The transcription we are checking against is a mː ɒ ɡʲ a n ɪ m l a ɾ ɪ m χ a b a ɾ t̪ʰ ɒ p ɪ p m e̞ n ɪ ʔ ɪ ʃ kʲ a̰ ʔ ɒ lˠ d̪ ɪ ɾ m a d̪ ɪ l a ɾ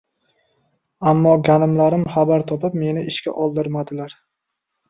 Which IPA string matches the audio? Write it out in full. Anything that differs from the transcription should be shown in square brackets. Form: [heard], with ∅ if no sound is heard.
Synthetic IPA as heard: a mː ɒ ɡʲ a n ɪ m l a ɾ ɪ m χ a b a ɾ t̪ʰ ɒ p ɪ p m e̞ n ɪ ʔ ɪ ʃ kʲ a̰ ʔ ɒ lˠ d̪ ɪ ɾ m a d̪ ɪ l a ɾ